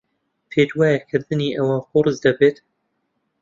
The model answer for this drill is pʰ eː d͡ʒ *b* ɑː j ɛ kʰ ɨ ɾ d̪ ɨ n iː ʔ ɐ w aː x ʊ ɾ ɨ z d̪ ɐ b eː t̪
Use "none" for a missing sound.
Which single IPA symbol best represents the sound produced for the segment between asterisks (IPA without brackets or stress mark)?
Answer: w